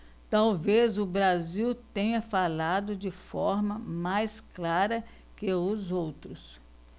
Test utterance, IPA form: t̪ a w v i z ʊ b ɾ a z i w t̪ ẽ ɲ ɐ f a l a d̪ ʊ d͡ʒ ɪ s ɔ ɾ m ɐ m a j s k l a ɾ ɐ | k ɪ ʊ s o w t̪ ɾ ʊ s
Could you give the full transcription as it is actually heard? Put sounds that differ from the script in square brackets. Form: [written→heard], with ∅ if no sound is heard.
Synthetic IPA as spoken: t̪ a w v [i→e] z ʊ b ɾ a z i w t̪ ẽ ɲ ɐ f a l a d̪ ʊ d͡ʒ ɪ [s→f] ɔ ɾ m ɐ m a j s k l a ɾ ɐ | k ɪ ʊ [s→z] o w t̪ ɾ ʊ s